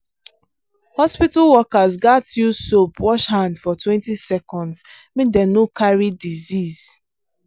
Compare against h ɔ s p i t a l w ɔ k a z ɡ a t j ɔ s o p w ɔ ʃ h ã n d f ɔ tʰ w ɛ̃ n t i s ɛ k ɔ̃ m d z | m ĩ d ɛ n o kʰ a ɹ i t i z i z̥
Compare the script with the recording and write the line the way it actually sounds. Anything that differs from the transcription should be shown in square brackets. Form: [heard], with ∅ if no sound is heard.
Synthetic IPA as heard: h ɔ s p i t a l w ɔ k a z ɡ a t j [u] s o p w ɔ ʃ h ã n d f ɔ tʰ w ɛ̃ n t i s ɛ k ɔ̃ [n] d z | m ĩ d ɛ n o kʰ a ɹ i [d] i z i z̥